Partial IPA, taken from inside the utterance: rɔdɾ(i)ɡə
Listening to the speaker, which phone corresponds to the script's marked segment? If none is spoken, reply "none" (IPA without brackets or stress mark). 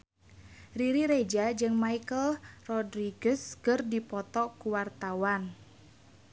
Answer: i